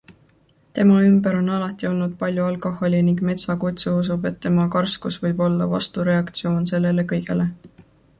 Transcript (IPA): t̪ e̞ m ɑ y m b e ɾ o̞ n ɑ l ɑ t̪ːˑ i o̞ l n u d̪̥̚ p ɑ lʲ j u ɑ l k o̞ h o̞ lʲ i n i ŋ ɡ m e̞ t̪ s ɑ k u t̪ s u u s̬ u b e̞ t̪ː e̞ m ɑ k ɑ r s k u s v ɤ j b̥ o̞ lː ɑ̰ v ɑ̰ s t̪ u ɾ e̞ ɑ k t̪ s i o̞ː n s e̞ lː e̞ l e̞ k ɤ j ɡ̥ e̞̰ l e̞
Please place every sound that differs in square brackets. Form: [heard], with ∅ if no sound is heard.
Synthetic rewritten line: t̪ e̞ m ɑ y m b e ɾ o̞ n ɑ l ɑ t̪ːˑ i o̞ l n u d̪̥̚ p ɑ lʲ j u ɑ l k o̞ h o̞ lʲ i n i ŋ ɡ m e̞ t̪ s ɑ k u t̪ s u u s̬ u b e̞ t̪ː e̞ m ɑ k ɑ r s k u s v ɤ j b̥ o̞ lː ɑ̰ v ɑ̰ s t̪ u ɾ e̞ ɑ k t̪ s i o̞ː n s e̞ lː e̞ l e̞ k ɤ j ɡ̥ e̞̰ l e̞